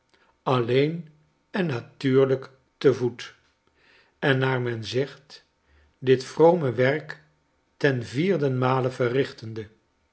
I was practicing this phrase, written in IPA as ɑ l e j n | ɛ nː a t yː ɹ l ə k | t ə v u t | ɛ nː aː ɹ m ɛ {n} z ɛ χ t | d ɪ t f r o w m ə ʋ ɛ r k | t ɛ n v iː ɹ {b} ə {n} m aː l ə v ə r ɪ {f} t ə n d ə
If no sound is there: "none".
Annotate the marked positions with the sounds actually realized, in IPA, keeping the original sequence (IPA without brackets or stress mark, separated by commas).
n, d, n, χ